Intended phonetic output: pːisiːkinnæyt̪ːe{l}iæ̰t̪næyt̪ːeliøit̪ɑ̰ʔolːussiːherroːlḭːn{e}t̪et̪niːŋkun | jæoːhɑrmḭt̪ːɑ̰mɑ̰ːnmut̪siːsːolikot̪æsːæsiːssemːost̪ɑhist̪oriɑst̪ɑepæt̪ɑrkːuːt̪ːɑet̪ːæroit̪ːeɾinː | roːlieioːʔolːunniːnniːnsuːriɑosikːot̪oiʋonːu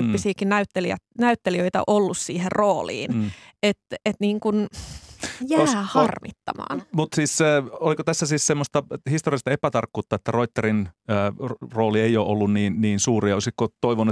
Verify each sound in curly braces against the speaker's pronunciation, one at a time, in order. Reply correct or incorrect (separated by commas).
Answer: correct, correct